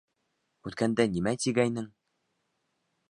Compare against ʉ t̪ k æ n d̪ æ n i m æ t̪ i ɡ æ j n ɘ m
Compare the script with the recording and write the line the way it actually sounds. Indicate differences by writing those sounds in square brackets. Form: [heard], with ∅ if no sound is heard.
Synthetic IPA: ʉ t̪ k æ n d̪ æ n i m æ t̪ i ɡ æ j n ɘ [ŋ]